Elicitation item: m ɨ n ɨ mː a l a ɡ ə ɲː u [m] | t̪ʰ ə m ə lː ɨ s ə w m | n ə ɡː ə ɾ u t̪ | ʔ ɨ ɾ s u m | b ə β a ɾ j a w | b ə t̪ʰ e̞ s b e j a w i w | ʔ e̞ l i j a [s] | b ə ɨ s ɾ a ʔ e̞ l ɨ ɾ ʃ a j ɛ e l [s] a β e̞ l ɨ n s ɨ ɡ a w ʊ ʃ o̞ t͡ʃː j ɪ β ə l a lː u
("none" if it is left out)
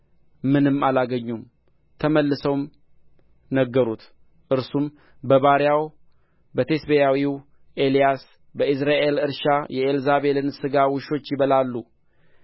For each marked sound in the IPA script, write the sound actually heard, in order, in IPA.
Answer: m, s, z

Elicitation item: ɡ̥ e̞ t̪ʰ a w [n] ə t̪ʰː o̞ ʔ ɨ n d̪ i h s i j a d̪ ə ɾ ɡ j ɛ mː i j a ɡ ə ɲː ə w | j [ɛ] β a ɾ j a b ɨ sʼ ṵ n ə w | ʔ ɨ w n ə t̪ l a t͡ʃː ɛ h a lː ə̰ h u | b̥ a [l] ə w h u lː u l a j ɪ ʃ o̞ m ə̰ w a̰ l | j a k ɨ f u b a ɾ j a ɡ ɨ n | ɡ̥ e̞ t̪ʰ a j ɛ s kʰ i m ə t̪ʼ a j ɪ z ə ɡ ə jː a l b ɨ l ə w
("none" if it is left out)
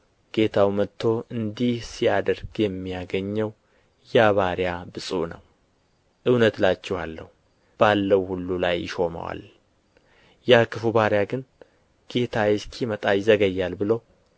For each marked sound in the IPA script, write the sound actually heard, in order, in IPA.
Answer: m, a, lː

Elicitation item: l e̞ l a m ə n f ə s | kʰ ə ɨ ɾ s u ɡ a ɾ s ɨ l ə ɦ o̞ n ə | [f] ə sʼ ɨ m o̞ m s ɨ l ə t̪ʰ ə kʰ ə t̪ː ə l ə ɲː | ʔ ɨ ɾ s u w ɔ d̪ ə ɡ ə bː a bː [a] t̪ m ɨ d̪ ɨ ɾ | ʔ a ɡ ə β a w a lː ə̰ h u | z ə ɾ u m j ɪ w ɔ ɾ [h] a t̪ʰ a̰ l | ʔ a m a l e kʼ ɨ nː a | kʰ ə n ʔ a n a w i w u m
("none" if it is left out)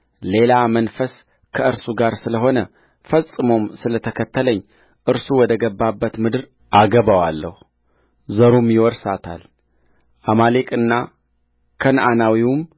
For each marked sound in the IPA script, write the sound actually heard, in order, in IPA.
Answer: f, ə, s

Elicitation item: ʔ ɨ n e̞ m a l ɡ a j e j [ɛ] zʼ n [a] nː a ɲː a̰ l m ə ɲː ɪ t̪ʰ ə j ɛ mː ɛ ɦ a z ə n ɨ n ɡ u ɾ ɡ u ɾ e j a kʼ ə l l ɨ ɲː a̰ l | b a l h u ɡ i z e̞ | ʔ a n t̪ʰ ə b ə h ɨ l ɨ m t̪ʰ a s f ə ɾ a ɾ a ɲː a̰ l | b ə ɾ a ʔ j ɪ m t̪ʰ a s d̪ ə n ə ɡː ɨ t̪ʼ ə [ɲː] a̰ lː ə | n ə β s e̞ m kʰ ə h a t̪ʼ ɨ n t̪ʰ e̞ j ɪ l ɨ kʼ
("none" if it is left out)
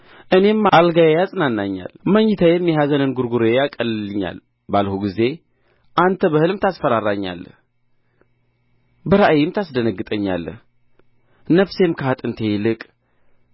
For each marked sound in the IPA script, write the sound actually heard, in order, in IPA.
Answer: a, a, ɲː

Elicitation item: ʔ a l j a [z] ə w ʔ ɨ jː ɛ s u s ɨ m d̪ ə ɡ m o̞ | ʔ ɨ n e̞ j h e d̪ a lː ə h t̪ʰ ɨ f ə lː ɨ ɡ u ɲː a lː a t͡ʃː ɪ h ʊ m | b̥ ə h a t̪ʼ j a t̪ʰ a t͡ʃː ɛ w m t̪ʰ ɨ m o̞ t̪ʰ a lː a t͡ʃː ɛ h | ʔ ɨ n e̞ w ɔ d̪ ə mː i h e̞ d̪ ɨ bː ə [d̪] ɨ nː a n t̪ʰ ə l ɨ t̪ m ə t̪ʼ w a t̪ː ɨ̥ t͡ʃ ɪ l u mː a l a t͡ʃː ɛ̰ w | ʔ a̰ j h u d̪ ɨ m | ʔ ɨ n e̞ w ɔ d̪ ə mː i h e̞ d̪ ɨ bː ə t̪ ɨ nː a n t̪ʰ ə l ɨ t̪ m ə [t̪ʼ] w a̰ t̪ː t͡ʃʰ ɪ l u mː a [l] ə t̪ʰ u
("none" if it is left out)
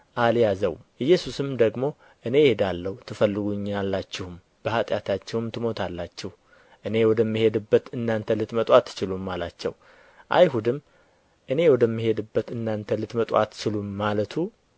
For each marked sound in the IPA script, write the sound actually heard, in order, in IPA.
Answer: z, t̪, t̪ʼ, l

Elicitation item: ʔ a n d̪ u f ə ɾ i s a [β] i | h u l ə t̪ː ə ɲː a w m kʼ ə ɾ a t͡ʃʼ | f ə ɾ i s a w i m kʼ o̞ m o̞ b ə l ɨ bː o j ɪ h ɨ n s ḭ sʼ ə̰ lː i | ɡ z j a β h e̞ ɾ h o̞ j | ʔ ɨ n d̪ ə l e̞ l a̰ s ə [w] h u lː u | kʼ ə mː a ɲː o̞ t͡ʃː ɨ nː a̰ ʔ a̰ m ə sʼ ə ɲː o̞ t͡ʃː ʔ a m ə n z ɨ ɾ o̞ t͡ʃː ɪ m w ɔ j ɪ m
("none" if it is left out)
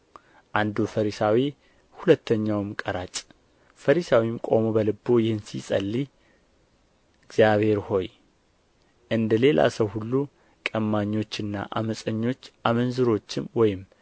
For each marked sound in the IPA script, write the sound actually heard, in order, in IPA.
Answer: w, w

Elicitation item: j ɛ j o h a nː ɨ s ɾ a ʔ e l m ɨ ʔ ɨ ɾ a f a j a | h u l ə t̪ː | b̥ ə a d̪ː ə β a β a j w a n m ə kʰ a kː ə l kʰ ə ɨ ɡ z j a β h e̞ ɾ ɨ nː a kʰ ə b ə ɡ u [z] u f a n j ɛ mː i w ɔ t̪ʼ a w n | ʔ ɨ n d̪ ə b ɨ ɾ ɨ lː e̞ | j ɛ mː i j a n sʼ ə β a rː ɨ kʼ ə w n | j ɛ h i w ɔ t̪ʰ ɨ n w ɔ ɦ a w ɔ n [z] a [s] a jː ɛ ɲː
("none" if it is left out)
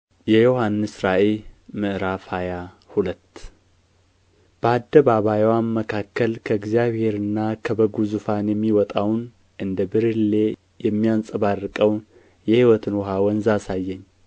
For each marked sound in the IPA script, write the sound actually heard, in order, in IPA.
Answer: z, z, s

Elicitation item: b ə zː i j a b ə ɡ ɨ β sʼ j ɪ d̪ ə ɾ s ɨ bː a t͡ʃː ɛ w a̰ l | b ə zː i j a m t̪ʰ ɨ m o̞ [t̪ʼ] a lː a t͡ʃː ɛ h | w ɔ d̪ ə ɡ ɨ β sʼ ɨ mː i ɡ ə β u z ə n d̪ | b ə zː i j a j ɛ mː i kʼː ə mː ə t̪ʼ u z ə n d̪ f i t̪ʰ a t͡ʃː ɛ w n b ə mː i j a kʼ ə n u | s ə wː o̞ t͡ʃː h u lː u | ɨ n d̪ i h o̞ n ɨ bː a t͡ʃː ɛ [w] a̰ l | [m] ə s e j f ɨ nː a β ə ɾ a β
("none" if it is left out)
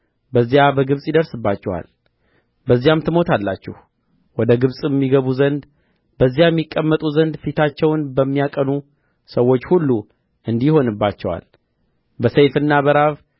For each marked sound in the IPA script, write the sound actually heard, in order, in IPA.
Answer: t̪, w, b

